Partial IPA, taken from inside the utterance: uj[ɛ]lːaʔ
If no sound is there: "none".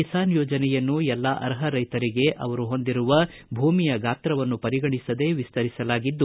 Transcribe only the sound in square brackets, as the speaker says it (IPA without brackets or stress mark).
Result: ɛ